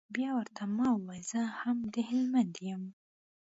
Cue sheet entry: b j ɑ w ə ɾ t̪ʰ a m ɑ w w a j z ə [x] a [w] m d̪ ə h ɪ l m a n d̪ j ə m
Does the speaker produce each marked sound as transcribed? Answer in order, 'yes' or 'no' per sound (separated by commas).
no, no